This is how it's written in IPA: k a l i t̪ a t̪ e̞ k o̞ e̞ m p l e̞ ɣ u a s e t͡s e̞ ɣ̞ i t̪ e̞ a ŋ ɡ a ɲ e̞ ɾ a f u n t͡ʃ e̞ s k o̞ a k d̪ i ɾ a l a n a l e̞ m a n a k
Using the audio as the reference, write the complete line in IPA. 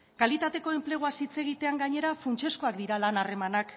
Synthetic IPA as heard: k a l i t̪ a t̪ e̞ k o̞ e̞ m p l e̞ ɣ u a s i t͡s e̞ ɣ̞ i t̪ e̞ a ŋ ɡ a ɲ e̞ ɾ a f u n t͡ʃ e̞ s k o̞ a k d̪ i ɾ a l a n a r e̞ m a n a k

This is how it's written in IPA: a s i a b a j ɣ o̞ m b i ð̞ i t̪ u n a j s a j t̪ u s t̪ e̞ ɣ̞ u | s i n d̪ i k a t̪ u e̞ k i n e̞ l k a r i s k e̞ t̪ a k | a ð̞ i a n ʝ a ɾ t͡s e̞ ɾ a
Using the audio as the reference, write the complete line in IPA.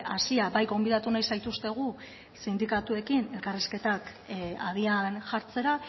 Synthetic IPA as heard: a s i a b a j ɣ o̞ m b i ð̞ a t̪ u n a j s a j t̪ u s t̪ e̞ ɣ̞ u | s i n d̪ i k a t̪ u e̞ k i n e̞ l k a r i s k e̞ t̪ a k | a ð̞ i a n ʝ a ɾ t͡s e̞ ɾ a

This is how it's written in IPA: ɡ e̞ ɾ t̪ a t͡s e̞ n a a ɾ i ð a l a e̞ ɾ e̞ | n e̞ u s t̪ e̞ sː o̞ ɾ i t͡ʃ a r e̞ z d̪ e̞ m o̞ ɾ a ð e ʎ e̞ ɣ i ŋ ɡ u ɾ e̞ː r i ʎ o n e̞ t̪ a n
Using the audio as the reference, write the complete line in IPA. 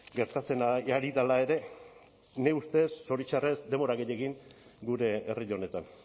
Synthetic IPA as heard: ɡ e̞ ɾ t̪ a t͡s e̞ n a a ɾ i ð a l a e̞ ɾ e̞ | n e̞ u s t̪ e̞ sː o̞ ɾ i t͡ʃ a r e̞ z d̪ e̞ m o̞ ɾ a ɣ e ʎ e̞ ɣ i ŋ ɡ u ɾ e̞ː r i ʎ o n e̞ t̪ a n

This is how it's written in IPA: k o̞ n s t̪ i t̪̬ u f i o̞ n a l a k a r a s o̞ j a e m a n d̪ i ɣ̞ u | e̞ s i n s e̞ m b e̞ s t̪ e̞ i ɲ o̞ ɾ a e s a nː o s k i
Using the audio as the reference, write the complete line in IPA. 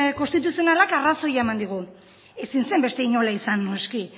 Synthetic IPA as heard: k o̞ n s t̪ i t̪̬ u s i o̞ n a l a k a r a s o̞ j a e m a n d̪ i ɣ̞ u | e̞ s i n s e̞ m b e̞ s t̪ e̞ i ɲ o̞ l a i s a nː o s k i

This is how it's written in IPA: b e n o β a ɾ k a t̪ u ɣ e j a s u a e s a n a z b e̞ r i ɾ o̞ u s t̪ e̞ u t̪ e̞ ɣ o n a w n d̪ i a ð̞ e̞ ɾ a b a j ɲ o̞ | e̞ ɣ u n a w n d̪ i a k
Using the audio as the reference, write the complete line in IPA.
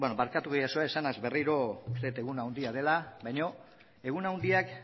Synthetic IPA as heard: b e n o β a ɾ k a t̪ u ɣ e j a s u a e s a n a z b e̞ r i ɾ o̞ u s t̪ e̞ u t̪ e̞ ɣ u n a w n d̪ i a ð̞ e̞ l a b a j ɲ o̞ | e̞ ɣ u n a w n d̪ i a k

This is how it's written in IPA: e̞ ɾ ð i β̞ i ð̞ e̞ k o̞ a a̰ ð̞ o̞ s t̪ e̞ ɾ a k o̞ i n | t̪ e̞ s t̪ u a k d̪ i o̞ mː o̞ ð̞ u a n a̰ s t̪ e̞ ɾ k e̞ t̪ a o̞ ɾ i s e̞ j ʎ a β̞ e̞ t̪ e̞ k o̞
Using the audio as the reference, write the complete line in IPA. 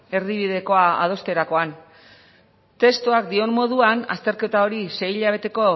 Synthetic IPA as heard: e̞ ɾ ð i β̞ i ð̞ e̞ k o̞ a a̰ ð̞ o̞ s t̪ e̞ ɾ a k o̞ a n | t̪ e̞ s t̪ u a k d̪ i o̞ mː o̞ ð̞ u a n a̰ s t̪ e̞ ɾ k e̞ t̪ a o̞ ɾ i s e̞ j ʎ a β̞ e̞ t̪ e̞ k o̞

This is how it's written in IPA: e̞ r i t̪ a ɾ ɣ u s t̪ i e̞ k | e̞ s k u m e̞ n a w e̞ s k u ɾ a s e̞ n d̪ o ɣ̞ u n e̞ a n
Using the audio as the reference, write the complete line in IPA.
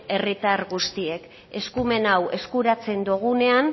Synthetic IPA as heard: e̞ r i t̪ a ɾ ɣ u s t̪ i e̞ k | e̞ s k u m e̞ n a w e̞ s k u ɾ a t͡s e̞ n d̪ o ɣ̞ u n e̞ a n

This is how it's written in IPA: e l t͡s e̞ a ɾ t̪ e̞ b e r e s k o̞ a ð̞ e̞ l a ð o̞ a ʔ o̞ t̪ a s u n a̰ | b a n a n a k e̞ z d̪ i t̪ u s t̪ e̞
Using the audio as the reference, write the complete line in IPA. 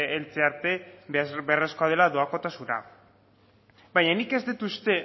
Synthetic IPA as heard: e l t͡s e̞ a ɾ t̪ e̞ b e r e s k o̞ a ð̞ e̞ l a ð o̞ a k o̞ t̪ a s u n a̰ | b a ɲ a n i k e̞ z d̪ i t̪ u s t̪ e̞

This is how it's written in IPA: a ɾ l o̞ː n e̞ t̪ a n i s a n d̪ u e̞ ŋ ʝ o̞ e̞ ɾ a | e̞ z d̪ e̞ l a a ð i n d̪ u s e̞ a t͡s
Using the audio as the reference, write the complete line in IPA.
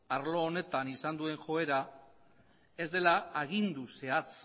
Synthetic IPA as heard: a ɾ l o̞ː n e̞ t̪ a n i s a n d̪ u e̞ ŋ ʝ o̞ e̞ ɾ a | e̞ z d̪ e̞ l a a ɣ i n d̪ u s e̞ a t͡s

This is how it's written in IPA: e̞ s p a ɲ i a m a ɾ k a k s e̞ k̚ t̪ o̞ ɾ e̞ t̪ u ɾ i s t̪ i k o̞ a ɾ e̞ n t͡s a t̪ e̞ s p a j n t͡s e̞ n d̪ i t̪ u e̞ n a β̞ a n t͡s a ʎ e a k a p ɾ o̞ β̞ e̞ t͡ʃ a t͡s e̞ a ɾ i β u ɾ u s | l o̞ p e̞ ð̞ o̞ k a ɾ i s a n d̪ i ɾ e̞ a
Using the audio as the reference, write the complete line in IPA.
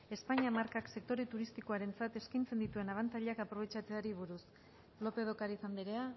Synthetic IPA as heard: e̞ s p a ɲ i a m a ɾ k a k s e̞ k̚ t̪ o̞ ɾ e̞ t̪ u ɾ i s t̪ i k o̞ a ɾ e̞ n t͡s a t̪ e̞ s k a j n t͡s e̞ n d̪ i t̪ u e̞ n a β̞ a n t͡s a ʎ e a k a p ɾ o̞ β̞ e̞ t͡ʃ a t͡s e̞ a ɾ i β u ɾ u s | l o̞ p e̞ ð̞ o̞ k a ɾ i s a n d̪ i ɾ e̞ a

